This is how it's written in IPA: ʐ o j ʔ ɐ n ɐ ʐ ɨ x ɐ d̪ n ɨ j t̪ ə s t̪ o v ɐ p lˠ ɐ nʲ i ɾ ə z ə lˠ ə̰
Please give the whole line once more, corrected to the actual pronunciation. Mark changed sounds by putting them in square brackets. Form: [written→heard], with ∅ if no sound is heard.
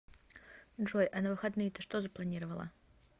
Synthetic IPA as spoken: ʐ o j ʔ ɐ n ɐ [ʐ→v] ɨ x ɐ d̪ n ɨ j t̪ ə [s→ʂ] t̪ o [v→z] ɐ p lˠ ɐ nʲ i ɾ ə [z→v] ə lˠ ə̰